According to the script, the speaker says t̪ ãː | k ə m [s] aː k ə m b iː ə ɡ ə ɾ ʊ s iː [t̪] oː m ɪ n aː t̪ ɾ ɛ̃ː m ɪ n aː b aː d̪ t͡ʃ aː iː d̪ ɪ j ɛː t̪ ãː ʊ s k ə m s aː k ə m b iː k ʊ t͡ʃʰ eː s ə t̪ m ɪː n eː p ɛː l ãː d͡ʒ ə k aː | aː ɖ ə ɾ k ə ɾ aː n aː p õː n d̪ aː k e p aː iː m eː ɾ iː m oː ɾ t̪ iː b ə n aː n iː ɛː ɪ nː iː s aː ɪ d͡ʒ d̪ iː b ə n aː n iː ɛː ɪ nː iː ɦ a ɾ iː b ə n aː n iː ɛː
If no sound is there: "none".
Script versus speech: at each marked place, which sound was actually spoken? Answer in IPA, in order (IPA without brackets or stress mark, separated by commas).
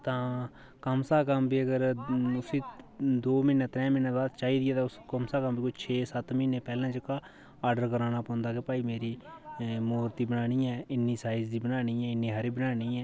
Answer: s, d̪